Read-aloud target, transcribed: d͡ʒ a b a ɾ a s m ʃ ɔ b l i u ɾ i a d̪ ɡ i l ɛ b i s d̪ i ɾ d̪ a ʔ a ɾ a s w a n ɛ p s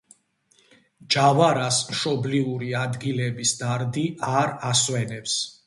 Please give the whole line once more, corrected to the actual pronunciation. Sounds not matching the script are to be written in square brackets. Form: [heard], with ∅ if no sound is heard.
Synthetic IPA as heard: d͡ʒ a [v] a ɾ a s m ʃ ɔ b l i u ɾ i a d̪ ɡ i l ɛ b i s d̪ [a] ɾ d̪ [i] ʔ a ɾ a s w [ɛ] n ɛ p s